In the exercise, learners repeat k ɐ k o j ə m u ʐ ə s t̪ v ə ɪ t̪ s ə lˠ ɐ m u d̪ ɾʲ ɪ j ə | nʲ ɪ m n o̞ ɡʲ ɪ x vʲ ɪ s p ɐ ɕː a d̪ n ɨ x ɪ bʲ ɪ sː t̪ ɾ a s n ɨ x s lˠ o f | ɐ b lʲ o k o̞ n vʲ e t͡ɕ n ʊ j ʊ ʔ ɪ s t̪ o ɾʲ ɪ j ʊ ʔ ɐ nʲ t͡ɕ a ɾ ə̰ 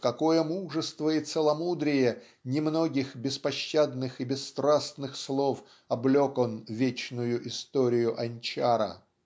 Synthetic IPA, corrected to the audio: k ɐ k o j ə m u ʐ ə s t̪ v ə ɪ t̪ s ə lˠ ɐ m u d̪ ɾʲ ɪ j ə | nʲ ɪ m n o̞ ɡʲ ɪ x bʲ ɪ s p ɐ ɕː a d̪ n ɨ x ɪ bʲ ɪ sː t̪ ɾ a s n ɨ x s lˠ o f | ɐ b lʲ o k o̞ n vʲ e t͡ɕ n ʊ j ʊ ʔ ɪ s t̪ o ɾʲ ɪ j ʊ ʔ ɐ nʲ t͡ɕ a ɾ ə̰